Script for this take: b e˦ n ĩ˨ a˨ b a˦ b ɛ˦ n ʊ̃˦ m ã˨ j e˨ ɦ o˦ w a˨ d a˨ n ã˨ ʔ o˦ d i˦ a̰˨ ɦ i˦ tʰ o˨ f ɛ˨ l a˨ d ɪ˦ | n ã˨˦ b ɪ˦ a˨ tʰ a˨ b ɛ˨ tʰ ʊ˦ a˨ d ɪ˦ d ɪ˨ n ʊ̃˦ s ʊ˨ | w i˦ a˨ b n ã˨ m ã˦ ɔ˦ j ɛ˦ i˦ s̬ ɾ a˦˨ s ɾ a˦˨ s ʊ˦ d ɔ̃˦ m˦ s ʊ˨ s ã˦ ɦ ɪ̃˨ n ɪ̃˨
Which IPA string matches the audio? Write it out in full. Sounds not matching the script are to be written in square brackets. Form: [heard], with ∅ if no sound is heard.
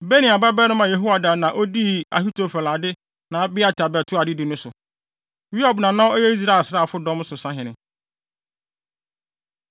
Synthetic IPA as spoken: b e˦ n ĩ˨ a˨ b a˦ b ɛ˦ n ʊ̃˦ m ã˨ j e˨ ɦ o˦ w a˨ d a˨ n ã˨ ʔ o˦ d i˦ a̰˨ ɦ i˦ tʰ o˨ f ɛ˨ l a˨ d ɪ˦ | n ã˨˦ b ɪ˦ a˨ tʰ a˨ b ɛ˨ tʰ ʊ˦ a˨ d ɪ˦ d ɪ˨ n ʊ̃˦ s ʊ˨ | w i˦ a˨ b n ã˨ [n] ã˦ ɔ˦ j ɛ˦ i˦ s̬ ɾ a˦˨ s ɾ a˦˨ [f] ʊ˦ d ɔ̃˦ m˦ s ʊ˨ s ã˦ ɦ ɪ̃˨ n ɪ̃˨

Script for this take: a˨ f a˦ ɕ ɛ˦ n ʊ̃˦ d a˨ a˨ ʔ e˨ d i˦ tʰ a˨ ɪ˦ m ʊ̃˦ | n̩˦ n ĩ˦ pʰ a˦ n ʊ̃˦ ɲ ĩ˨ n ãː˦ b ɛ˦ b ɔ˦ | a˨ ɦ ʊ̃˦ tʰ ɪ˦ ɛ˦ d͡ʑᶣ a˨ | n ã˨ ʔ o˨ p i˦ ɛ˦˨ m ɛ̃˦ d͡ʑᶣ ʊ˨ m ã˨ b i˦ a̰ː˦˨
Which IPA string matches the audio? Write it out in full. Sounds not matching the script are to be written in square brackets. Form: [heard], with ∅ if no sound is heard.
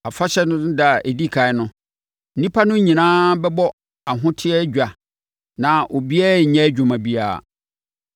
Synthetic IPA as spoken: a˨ f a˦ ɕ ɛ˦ n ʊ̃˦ d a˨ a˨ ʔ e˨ d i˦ [kʰ] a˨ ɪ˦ [n] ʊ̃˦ | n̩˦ n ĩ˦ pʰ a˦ n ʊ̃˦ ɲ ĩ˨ n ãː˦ b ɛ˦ b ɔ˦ | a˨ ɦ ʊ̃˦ tʰ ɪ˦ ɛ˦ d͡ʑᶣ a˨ | n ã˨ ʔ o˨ [b] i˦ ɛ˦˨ [ɲ] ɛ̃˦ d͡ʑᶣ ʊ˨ m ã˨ b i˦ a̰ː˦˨

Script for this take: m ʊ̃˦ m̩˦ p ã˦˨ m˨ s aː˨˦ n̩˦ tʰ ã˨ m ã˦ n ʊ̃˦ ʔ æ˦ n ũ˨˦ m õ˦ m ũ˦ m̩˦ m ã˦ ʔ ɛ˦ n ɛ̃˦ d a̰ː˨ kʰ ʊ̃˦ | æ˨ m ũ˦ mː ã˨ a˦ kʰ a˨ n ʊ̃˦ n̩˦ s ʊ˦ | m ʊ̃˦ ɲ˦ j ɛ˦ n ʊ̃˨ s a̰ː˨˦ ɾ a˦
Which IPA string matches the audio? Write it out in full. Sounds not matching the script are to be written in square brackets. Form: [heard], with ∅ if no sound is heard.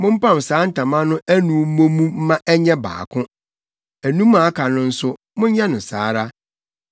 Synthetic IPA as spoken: m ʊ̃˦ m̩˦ p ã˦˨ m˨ s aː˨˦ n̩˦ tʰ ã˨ m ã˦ n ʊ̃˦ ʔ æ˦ n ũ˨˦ m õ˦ m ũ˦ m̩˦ m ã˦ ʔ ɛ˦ [ɲ] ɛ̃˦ [b] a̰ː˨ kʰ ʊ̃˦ | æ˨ [n] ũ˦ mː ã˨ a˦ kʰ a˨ n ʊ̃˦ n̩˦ s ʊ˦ | m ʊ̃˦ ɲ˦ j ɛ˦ n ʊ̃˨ s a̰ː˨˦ ɾ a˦

